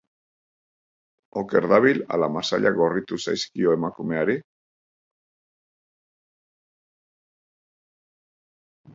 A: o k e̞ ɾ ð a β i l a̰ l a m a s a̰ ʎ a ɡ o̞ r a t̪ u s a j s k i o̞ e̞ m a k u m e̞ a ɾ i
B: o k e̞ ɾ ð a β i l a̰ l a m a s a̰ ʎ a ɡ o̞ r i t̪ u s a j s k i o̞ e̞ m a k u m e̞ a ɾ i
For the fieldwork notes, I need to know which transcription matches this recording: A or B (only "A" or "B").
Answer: B